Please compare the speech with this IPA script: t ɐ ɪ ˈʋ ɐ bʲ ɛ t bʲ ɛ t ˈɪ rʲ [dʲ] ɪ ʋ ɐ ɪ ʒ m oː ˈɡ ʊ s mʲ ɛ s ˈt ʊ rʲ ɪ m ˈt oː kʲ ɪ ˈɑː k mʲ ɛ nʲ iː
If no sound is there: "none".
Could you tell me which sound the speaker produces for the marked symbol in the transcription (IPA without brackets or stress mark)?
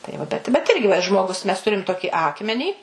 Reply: ɡʲ